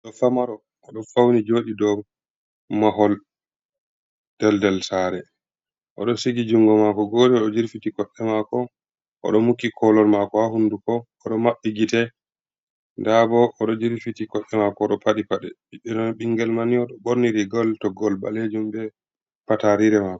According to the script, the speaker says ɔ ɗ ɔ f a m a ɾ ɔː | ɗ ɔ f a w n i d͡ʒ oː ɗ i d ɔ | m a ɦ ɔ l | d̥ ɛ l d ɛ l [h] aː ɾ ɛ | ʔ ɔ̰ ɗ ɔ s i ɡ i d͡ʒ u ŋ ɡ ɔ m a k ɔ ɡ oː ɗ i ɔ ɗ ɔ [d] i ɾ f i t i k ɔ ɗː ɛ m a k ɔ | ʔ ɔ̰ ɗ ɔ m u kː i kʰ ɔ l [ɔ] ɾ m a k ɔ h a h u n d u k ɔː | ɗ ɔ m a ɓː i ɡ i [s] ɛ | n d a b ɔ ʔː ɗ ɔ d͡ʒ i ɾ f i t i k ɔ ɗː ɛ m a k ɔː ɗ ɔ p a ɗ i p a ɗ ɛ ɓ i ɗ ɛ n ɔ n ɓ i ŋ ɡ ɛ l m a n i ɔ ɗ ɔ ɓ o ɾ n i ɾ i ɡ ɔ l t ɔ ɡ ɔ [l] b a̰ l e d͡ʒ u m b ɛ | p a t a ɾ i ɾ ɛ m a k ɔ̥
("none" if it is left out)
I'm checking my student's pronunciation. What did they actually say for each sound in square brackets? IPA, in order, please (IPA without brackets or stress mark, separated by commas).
s, d͡ʒ, ɔ, t, l